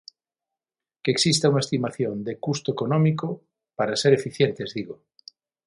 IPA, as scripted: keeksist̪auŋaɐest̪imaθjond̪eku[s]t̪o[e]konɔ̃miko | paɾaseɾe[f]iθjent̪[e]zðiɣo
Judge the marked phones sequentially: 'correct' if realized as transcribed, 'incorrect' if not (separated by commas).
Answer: correct, correct, correct, correct